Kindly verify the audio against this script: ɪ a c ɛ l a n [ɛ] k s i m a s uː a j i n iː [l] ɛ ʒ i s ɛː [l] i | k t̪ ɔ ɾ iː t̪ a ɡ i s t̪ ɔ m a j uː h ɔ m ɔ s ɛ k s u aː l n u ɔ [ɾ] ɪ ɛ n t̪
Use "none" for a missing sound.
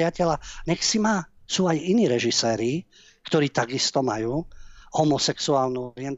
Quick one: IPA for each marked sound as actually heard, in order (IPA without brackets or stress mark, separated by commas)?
ɛ, ɾ, ɾ, ɾ